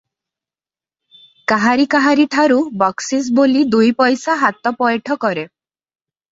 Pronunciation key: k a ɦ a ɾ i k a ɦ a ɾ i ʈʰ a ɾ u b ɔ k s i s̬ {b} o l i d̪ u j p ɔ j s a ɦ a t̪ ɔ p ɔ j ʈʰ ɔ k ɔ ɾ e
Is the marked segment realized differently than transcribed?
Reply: no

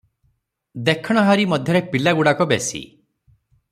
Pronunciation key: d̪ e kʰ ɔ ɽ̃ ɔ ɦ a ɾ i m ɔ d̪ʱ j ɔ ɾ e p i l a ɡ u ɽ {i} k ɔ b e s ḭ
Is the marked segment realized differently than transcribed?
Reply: yes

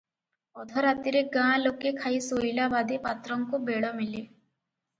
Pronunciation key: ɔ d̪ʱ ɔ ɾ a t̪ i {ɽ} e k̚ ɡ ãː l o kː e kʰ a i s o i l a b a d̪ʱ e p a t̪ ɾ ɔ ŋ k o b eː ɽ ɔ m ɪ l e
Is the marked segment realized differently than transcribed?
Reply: yes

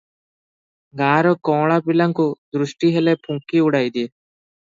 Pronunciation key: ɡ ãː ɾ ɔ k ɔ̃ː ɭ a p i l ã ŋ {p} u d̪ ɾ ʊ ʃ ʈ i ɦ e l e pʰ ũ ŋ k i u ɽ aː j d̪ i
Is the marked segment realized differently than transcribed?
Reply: yes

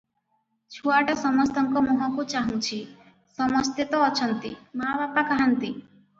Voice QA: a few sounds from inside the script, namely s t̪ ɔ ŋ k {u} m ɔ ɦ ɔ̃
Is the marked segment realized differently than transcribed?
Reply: yes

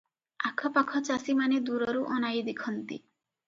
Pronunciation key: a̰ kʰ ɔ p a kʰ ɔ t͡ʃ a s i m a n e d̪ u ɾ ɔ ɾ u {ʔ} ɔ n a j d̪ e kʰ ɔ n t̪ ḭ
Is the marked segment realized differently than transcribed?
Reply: no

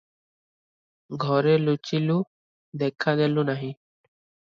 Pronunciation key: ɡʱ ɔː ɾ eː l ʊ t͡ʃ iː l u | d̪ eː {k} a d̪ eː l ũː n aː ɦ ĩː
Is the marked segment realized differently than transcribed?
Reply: yes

